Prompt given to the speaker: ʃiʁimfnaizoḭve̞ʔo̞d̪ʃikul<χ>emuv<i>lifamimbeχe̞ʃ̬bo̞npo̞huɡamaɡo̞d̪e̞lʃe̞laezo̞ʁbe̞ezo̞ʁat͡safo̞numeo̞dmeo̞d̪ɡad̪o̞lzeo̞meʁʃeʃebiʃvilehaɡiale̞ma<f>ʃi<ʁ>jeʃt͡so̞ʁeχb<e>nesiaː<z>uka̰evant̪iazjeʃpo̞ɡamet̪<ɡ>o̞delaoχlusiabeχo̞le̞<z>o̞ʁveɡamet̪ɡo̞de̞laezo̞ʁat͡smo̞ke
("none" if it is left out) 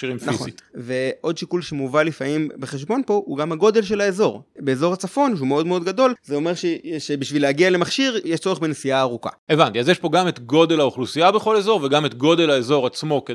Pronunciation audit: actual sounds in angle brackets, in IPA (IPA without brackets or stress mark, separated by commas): ʃ, a, χ, ʁ, e, ʁ, ɡ, z